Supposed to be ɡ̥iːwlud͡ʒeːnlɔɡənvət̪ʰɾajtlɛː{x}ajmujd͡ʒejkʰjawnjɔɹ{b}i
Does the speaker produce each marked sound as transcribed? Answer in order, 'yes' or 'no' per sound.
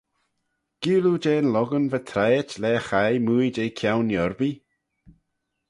yes, yes

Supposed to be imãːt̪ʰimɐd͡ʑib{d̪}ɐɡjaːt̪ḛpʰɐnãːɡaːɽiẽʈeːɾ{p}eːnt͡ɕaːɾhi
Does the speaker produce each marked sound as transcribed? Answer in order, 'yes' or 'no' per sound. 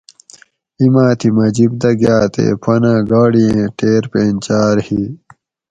yes, yes

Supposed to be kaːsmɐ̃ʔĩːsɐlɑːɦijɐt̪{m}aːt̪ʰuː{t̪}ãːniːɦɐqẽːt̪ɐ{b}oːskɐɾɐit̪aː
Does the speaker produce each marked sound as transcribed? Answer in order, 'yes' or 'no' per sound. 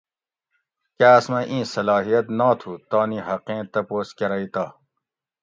no, yes, no

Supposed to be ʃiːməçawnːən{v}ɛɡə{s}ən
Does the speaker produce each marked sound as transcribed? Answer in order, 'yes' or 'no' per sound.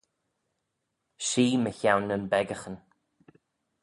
no, no

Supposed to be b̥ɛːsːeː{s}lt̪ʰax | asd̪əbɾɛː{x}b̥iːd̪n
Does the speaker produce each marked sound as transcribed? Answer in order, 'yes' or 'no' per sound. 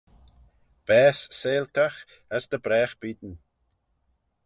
no, yes

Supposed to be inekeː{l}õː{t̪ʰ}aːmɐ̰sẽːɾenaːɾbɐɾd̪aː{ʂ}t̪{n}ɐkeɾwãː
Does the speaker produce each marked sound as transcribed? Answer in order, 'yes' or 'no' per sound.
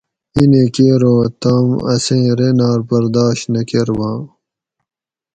no, no, no, yes

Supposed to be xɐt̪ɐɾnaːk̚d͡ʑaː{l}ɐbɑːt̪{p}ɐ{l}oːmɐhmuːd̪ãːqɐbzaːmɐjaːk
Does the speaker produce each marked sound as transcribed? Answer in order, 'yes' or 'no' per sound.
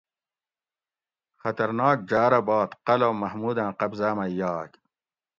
no, no, yes

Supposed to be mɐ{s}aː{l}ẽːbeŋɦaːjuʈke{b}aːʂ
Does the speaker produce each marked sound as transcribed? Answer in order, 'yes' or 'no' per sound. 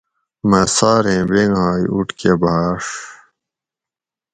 yes, no, yes

